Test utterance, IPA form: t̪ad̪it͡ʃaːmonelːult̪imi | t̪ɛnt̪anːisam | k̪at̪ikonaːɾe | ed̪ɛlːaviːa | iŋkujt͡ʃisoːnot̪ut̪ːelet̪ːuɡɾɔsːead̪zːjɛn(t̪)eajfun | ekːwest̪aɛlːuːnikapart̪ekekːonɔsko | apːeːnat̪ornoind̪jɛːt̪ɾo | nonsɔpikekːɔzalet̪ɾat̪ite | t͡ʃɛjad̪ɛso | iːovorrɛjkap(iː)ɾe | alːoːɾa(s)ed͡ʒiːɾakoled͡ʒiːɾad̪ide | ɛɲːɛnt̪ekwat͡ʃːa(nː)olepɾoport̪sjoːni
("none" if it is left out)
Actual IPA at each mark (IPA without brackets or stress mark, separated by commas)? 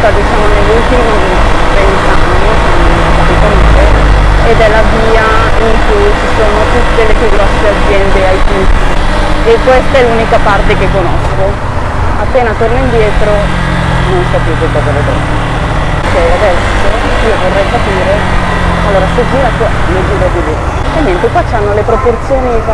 d̪, iː, s, nː